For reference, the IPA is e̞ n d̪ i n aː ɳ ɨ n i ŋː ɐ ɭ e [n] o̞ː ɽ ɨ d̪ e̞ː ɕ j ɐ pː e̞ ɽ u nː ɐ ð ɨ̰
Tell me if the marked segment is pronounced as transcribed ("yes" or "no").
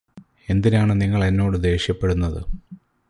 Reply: no